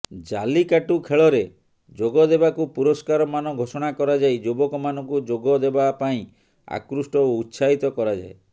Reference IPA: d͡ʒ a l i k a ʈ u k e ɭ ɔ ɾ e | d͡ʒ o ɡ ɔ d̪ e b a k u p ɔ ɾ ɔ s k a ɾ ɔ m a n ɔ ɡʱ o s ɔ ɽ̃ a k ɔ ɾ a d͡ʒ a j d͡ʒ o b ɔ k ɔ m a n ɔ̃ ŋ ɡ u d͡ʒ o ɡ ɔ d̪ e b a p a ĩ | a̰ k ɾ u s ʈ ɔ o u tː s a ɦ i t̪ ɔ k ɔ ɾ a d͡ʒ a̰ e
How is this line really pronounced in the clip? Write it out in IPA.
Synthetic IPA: d͡ʒ a l i k a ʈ u kʰ e ɭ ɔ ɾ e | d͡ʒ o ɡ ɔ d̪ e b a k u p u ɾ ɔ s k a ɾ ɔ m a n ɔ ɡʱ o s ɔ ɽ̃ a k ɔ ɾ a d͡ʒ a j d͡ʒ o b ɔ k ɔ m a n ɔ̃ ŋ k u d͡ʒ o ɡ ɔ d̪ e b a p a ĩ | a̰ k ɾ u s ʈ ɔ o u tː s a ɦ i t̪ ɔ k ɔ ɾ a d͡ʒ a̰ e